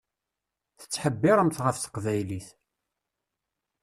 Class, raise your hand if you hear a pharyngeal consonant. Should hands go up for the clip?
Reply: yes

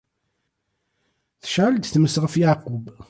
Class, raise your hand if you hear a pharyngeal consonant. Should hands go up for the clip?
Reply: yes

